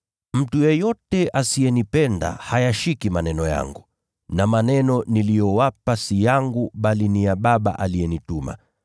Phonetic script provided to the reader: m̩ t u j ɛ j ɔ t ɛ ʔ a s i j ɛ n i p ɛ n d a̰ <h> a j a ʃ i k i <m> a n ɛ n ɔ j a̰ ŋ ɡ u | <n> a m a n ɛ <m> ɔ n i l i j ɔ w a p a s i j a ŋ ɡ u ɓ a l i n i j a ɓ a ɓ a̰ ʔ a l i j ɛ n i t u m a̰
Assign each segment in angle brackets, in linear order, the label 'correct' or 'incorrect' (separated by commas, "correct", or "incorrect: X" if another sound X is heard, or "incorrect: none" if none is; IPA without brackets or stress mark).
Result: correct, correct, correct, incorrect: n